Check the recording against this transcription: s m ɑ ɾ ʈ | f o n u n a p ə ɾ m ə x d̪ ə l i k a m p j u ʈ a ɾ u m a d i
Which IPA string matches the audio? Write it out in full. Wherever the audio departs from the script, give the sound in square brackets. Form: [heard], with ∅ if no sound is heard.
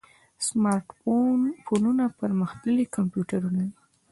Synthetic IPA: s m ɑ ɾ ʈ | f o n u n a p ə ɾ m ə x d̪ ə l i k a m p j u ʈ a ɾ u [n] a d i